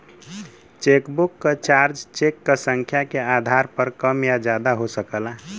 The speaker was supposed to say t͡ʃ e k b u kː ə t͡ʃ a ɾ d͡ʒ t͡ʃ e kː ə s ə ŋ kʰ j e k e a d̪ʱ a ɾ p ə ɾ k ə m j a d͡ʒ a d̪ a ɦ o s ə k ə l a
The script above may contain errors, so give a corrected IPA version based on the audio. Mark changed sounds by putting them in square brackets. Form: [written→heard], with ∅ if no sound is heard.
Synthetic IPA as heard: t͡ʃ e k b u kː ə t͡ʃ a ɾ d͡ʒ t͡ʃ e kː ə s ə ŋ kʰ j [e→a] k e a d̪ʱ a ɾ p ə ɾ k ə m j a d͡ʒ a d̪ a ɦ o s ə k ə l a